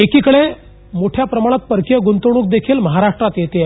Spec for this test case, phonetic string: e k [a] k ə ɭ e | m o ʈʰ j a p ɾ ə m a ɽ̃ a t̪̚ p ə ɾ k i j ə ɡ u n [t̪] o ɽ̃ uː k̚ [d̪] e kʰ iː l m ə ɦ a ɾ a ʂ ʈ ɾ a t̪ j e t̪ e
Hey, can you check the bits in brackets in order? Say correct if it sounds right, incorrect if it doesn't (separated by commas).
incorrect, correct, correct